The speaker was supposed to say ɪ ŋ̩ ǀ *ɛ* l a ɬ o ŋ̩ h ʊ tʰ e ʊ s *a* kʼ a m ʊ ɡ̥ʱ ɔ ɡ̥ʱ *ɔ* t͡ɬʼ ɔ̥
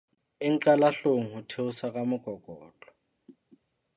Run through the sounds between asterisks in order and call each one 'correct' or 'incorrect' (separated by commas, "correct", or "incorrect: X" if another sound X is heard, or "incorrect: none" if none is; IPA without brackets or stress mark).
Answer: incorrect: a, correct, incorrect: ɔː